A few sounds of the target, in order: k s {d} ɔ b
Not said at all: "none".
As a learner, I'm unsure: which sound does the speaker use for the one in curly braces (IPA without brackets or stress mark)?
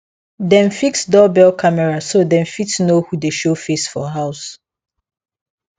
d